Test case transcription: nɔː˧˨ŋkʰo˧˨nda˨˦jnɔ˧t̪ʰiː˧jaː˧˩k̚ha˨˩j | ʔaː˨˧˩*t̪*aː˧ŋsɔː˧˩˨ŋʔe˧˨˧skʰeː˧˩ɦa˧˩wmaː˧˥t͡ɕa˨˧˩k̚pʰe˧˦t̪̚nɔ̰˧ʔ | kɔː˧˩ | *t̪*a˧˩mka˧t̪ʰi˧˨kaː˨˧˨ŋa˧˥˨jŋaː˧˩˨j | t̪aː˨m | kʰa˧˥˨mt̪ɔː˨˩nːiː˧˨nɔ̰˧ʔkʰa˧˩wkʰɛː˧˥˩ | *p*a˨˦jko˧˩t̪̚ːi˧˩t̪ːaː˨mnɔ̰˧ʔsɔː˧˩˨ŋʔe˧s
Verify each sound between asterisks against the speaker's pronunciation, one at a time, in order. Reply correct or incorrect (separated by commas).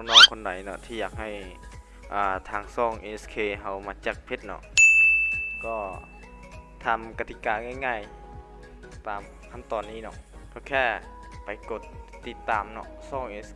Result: incorrect, incorrect, correct